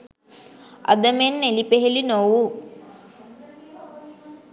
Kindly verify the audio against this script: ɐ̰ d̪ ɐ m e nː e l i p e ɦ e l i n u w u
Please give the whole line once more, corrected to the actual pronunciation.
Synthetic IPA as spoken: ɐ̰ d̪ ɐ m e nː e l i p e ɦ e l i n o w u